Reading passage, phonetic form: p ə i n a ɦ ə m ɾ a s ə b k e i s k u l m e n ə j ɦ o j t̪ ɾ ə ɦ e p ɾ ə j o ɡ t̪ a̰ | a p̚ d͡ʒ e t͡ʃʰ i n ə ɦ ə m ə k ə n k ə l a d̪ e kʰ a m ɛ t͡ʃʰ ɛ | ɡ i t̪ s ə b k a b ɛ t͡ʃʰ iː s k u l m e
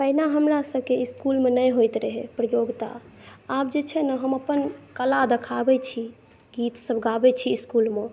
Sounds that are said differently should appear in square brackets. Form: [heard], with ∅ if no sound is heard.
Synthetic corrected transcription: p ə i n a ɦ ə m ɾ a s ə b k e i s k u l m e n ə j ɦ o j t̪ ɾ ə ɦ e p ɾ ə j o ɡ t̪ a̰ | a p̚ d͡ʒ e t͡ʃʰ [ɛ] n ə ɦ ə m ə [p] ə n k ə l a d̪ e kʰ a [b] ɛ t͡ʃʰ [i] | ɡ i t̪ s ə b [ɡ] a b ɛ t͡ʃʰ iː s k u l m e